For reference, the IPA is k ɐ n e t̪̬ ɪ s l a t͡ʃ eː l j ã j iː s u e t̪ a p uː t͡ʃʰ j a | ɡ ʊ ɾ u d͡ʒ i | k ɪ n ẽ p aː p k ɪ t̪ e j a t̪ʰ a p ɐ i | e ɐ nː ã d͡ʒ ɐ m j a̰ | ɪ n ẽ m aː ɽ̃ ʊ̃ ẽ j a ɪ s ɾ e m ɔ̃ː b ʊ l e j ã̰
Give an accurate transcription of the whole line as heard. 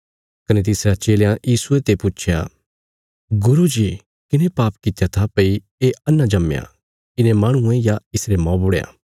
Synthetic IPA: k ɐ n e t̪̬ ɪ s ɾ a t͡ʃ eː l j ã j iː s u e t̪ e p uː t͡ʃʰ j a | ɡ ʊ ɾ u d͡ʒ i | k ɪ n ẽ p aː p k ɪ t̪ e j a t̪ʰ a p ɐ i | e ɐ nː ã d͡ʒ ɐ m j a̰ | ɪ n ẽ m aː ɽ̃ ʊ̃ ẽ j a ɪ s ɾ e m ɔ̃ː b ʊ ɽ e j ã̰